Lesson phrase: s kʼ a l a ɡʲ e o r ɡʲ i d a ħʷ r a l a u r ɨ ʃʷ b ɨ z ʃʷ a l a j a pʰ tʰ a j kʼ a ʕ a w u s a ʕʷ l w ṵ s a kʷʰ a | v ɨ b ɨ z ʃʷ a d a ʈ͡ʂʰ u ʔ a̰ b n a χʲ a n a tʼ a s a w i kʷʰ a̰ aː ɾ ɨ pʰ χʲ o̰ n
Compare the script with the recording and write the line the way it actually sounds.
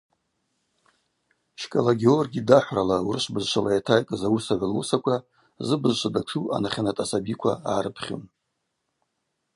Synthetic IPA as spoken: ʃ kʼ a l a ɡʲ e o r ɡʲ i d a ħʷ r a l a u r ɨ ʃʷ b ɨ z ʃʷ a l a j a tʰ a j kʼ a z a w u s a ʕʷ l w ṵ s a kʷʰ a | z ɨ b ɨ z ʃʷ a d a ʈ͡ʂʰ u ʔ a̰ n a χʲ a n a tʼ a s a b i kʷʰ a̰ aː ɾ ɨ pʰ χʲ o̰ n